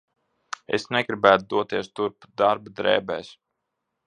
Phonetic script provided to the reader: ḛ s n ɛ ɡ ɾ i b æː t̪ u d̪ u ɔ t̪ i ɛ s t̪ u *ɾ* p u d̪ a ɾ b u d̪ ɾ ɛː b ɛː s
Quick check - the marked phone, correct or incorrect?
correct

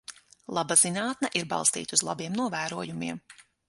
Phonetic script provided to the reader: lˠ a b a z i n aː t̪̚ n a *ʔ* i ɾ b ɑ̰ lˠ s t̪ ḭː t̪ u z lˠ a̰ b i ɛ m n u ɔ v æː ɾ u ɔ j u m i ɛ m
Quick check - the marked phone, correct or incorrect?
correct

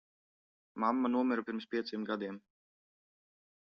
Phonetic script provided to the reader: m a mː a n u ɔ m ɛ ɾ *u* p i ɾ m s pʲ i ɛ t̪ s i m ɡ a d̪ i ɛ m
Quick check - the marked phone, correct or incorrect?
correct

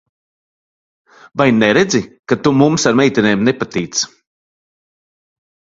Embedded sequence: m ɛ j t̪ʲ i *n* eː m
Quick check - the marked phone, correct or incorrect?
correct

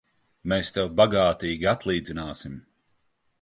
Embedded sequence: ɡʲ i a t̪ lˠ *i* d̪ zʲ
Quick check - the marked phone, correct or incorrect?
incorrect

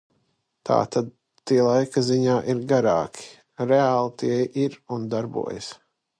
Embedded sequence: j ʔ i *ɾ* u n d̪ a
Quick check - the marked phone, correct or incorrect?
correct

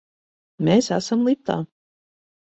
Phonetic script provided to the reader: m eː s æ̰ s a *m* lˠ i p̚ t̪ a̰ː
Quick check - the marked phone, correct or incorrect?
correct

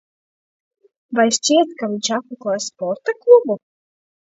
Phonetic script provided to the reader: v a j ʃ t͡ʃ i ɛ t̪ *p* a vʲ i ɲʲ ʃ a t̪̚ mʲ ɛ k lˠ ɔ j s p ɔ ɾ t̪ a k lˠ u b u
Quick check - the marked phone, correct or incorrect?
incorrect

